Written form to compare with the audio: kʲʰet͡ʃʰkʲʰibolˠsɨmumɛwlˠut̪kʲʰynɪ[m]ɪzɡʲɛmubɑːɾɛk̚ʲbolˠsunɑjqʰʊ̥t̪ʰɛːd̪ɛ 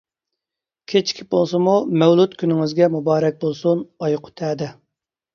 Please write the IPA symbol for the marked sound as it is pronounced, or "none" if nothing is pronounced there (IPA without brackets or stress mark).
ŋ